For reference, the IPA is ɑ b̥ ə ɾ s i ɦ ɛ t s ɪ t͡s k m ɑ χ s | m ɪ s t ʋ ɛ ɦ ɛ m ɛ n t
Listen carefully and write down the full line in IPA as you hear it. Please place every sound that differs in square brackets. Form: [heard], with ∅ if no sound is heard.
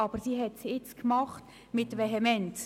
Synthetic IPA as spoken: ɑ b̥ ə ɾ s i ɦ ɛ t s ɪ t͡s k m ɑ χ [t] | m ɪ [∅] t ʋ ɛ ɦ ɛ m ɛ n t